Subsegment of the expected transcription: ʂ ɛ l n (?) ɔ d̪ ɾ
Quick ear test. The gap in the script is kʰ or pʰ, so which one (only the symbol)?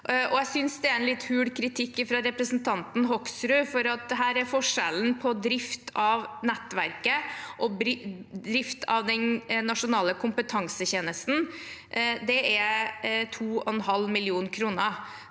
pʰ